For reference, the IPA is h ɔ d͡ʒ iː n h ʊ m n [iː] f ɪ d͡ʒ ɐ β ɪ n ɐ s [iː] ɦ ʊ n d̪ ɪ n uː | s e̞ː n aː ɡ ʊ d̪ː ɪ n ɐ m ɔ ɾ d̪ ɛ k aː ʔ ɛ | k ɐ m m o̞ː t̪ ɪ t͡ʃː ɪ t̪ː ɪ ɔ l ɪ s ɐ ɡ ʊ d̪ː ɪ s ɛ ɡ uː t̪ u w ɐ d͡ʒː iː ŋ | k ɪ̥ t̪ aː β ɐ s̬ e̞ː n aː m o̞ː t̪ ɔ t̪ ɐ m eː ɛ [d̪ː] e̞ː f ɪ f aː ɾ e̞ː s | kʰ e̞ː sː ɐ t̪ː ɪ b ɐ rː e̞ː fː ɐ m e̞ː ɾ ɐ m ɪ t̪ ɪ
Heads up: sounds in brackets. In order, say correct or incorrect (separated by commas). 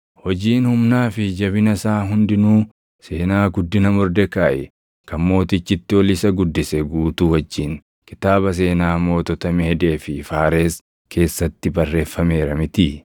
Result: incorrect, incorrect, incorrect